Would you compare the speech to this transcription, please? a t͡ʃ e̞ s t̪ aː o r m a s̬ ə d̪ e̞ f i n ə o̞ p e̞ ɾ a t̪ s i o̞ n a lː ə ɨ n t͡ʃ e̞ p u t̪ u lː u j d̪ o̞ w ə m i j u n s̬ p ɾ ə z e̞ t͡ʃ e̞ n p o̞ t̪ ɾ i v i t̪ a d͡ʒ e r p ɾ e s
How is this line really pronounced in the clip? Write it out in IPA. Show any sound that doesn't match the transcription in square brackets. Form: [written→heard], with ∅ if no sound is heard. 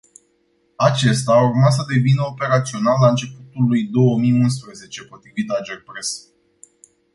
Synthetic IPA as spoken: a t͡ʃ e̞ s t̪ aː [o→u] r m a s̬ ə d̪ e̞ [f→v] i n ə o̞ p e̞ ɾ a t̪ s i o̞ n a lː [ə→a] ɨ n t͡ʃ e̞ p u t̪ u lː u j d̪ o̞ w ə m i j u n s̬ p ɾ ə z e̞ t͡ʃ e̞ [n→∅] p o̞ t̪ ɾ i v i t̪ a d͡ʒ e r p ɾ e s